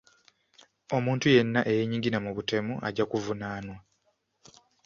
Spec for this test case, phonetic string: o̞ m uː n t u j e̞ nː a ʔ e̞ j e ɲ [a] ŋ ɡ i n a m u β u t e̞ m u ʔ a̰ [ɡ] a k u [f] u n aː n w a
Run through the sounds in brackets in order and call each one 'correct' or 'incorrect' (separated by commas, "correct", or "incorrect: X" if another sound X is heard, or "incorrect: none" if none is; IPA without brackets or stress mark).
incorrect: i, incorrect: ɟ, incorrect: v